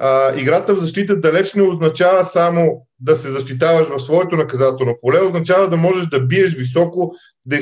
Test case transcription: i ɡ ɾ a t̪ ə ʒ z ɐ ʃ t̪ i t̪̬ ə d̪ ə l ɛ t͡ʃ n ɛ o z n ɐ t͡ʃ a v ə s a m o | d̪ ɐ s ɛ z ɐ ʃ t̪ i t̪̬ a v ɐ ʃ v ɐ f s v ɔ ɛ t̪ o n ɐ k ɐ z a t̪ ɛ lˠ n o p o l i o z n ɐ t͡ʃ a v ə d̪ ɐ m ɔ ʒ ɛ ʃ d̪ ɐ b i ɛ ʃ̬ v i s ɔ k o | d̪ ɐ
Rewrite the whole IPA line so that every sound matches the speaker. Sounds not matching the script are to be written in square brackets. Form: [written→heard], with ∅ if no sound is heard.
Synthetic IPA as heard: i ɡ ɾ a t̪ ə [ʒ→v] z ɐ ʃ t̪ i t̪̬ ə d̪ [ə→ɐ] l ɛ t͡ʃ n ɛ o z n ɐ t͡ʃ a v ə s a m o | d̪ ɐ s ɛ z ɐ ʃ t̪ i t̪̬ a v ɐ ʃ v ɐ f s v ɔ ɛ t̪ o n ɐ k ɐ z a t̪ ɛ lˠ n o p o l [i→ɛ] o z n ɐ t͡ʃ a v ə d̪ ɐ m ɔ ʒ ɛ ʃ d̪ ɐ b i ɛ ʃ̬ v i s ɔ k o | d̪ ɐ